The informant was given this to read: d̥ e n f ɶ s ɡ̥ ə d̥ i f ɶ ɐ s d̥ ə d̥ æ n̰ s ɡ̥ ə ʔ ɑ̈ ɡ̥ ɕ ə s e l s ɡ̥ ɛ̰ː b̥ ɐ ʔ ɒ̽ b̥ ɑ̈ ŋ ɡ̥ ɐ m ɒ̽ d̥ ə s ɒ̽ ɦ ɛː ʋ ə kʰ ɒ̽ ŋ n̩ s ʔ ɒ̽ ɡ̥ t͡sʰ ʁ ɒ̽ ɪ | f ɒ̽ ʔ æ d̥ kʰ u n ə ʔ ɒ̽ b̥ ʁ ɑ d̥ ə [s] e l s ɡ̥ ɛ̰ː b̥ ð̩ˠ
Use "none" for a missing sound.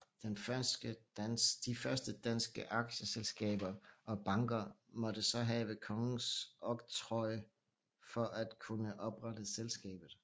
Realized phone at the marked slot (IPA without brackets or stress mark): s